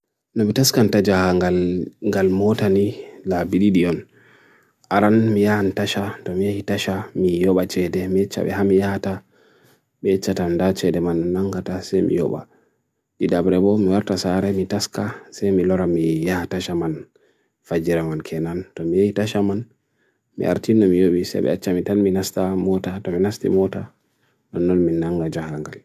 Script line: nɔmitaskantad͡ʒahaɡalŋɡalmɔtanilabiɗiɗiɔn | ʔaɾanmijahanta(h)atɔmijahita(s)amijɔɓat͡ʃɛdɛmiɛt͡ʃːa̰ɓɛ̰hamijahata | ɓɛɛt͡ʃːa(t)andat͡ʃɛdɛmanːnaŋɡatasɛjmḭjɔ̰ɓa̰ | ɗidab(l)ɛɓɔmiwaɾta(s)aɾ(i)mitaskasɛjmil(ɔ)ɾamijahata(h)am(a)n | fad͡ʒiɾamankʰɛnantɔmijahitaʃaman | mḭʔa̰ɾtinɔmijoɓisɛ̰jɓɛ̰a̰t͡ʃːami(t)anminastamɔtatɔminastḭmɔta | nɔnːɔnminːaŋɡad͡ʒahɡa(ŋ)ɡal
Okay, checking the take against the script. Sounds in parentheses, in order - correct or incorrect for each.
incorrect, incorrect, correct, incorrect, correct, incorrect, correct, incorrect, correct, correct, correct

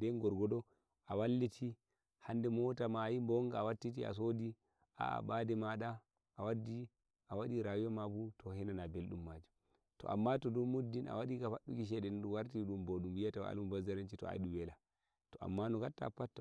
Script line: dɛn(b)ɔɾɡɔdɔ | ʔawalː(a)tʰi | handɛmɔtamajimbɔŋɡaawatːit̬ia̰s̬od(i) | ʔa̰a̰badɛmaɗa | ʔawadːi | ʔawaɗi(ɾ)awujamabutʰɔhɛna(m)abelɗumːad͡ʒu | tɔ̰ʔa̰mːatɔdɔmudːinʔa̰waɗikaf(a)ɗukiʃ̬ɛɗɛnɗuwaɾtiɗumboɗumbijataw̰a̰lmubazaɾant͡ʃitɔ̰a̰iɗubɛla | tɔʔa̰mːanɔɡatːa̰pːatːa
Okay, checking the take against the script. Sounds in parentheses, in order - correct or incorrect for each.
incorrect, incorrect, correct, correct, incorrect, correct

